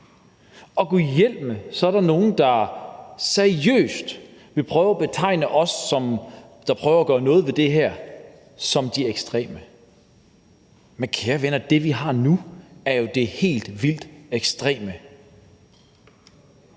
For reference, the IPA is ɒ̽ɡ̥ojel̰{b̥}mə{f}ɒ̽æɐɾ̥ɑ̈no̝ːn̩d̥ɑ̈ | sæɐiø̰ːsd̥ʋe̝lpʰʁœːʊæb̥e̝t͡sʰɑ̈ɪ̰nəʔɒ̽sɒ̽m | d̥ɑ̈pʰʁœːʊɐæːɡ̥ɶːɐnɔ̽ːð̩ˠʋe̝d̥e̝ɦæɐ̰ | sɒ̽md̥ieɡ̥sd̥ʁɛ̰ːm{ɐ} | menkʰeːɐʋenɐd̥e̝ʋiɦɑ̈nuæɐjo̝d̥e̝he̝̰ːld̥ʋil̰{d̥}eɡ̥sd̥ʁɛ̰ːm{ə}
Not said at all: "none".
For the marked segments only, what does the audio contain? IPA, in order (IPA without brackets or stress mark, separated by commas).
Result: b̥, s, ə, d̥, ə